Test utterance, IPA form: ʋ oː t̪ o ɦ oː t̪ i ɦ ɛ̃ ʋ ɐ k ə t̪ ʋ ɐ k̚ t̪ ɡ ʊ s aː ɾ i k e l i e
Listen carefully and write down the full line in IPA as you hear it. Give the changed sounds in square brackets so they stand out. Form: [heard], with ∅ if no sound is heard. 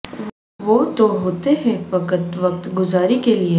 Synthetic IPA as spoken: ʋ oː t̪ o ɦ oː t̪ [e] ɦ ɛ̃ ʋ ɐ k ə t̪ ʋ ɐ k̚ t̪ ɡ ʊ [z] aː ɾ i k e l i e